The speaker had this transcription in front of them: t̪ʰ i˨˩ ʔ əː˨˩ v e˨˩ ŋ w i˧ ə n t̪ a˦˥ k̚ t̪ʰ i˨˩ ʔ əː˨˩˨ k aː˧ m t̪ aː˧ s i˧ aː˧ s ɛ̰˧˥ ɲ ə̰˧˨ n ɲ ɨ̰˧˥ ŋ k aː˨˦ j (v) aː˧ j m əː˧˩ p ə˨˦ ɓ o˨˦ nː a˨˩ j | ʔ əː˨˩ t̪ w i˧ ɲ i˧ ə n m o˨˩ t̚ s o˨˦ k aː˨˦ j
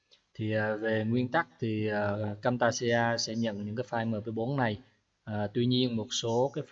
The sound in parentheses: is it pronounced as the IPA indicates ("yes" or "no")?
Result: no